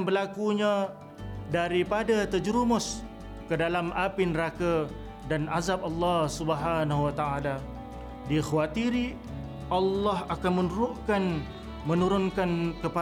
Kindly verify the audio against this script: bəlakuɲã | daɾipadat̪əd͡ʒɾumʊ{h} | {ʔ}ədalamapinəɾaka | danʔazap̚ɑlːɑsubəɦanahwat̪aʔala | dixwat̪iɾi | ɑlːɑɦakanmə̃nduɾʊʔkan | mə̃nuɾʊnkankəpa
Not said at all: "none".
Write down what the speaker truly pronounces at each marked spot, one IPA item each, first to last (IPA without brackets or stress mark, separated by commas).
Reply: s, k